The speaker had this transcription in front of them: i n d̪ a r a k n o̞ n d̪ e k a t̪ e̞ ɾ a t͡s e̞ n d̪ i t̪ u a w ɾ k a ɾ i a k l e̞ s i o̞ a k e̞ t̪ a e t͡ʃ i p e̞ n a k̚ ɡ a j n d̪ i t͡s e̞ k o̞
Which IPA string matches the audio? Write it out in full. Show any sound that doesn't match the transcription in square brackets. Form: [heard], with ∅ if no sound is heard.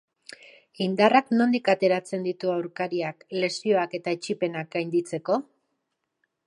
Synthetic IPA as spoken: i n d̪ a r a k n o̞ n d̪ [i] k a t̪ e̞ ɾ a t͡s e̞ n d̪ i t̪ u a w ɾ k a ɾ i a k l e̞ s i o̞ a k e̞ t̪ a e t͡ʃ i p e̞ n a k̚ ɡ a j n d̪ i t͡s e̞ k o̞